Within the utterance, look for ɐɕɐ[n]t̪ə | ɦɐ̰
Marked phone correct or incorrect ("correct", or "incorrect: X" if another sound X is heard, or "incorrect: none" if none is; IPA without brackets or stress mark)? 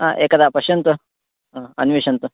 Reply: correct